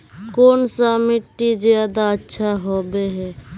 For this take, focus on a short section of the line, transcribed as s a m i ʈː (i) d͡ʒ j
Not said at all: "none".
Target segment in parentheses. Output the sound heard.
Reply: i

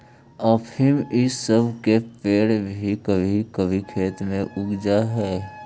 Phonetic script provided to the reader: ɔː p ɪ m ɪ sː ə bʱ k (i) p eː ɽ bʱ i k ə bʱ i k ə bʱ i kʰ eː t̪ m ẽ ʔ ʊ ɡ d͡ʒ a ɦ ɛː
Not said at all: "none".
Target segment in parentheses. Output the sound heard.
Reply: e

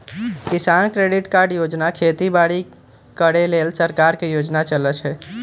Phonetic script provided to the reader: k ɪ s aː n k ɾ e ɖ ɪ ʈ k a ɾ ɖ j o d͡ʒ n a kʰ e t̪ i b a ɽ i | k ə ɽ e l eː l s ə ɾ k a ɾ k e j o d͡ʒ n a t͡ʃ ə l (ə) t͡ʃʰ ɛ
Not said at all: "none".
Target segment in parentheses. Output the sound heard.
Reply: ə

